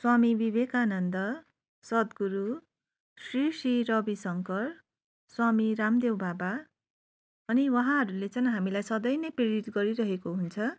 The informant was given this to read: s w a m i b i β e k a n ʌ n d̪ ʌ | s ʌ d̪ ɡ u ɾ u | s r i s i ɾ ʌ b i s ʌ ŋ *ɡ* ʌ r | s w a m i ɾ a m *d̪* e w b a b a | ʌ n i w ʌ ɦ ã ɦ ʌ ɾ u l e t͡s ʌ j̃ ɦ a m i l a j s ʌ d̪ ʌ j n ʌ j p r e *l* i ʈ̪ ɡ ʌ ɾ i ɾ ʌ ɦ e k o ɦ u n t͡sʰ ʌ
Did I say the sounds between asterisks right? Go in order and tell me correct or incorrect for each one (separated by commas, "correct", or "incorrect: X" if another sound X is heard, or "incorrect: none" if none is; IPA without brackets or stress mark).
incorrect: k, correct, incorrect: ɾ